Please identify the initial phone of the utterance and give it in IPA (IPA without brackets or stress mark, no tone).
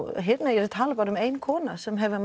ɦ